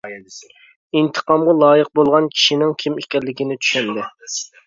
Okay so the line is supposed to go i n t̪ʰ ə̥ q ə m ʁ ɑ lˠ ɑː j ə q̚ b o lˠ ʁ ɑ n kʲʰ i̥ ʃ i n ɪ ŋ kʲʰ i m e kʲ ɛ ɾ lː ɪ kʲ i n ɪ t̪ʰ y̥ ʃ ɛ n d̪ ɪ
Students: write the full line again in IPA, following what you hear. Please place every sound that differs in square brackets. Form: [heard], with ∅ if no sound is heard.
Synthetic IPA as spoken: i n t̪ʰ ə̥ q [ɑ] m ʁ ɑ lˠ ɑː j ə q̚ b o lˠ ʁ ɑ n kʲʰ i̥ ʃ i n ɪ ŋ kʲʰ i m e kʲ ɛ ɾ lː ɪ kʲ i n ɪ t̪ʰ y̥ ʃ ɛ n d̪ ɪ